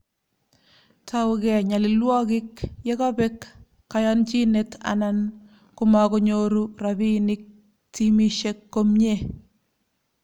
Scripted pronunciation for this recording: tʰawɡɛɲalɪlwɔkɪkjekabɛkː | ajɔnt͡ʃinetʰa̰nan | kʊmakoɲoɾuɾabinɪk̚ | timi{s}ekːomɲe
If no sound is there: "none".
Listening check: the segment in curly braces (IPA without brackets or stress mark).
ʃ